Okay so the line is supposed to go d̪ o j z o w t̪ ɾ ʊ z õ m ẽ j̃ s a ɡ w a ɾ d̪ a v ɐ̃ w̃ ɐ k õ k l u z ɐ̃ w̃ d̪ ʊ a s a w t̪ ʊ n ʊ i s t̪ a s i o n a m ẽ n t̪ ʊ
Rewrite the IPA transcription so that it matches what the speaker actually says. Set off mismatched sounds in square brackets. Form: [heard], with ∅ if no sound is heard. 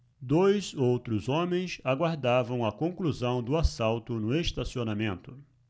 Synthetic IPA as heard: d̪ o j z o w t̪ ɾ ʊ z õ m ẽ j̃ s a ɡ w a ɾ d̪ a v ɐ̃ w̃ ɐ k õ k l u z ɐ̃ w̃ d̪ ʊ a s a w t̪ ʊ n ʊ [e] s t̪ a s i o n a m ẽ n t̪ ʊ